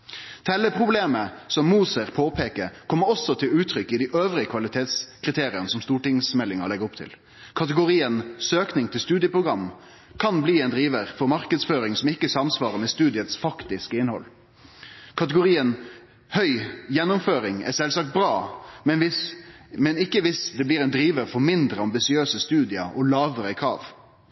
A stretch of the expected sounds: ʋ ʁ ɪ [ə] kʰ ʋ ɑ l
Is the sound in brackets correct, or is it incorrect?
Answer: correct